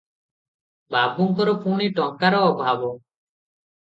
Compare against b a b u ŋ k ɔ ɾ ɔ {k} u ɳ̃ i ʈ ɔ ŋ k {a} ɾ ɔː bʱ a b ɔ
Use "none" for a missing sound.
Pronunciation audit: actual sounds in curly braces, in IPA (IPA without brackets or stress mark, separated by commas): p, a